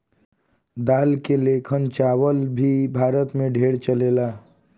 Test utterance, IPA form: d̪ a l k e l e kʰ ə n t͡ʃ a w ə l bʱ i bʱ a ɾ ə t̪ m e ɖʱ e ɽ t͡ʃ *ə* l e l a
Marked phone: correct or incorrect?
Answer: correct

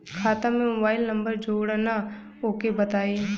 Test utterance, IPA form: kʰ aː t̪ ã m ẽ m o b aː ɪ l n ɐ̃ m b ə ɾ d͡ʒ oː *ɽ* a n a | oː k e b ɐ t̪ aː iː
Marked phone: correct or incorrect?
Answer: correct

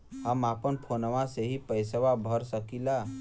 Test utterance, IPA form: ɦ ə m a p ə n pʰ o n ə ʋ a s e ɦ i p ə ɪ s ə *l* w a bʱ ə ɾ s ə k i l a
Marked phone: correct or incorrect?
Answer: incorrect: none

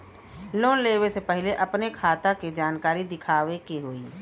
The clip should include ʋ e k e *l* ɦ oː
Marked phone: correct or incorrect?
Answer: incorrect: none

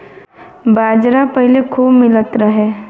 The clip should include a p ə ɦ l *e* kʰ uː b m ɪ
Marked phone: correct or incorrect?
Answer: correct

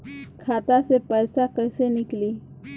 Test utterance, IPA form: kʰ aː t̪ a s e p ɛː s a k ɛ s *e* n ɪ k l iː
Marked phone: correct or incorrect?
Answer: correct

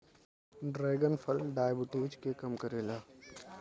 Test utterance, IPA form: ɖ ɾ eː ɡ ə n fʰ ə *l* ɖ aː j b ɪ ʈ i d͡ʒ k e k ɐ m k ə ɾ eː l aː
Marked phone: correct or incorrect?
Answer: correct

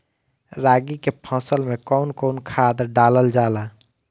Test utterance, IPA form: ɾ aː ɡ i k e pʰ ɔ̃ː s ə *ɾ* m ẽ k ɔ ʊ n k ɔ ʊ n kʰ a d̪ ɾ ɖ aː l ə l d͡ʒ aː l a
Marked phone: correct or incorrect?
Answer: incorrect: l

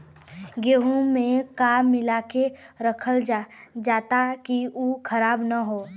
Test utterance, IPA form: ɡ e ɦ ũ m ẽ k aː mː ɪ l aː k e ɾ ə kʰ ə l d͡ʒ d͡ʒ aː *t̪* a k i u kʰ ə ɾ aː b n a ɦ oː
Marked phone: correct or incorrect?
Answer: correct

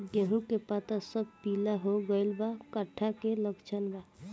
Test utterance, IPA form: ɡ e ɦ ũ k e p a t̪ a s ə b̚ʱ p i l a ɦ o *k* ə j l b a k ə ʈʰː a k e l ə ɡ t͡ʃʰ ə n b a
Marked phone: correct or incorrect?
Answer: incorrect: ɡ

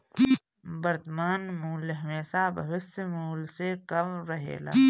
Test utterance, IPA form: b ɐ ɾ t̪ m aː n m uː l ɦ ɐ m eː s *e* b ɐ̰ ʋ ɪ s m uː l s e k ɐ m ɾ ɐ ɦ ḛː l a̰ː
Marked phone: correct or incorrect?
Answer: incorrect: a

